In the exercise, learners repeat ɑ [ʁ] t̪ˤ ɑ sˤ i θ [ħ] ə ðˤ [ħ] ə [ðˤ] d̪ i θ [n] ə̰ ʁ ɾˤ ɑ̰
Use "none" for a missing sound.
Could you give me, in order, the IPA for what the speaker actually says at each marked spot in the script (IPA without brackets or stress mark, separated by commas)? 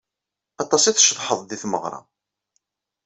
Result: none, ʃ, ħ, ðˤ, m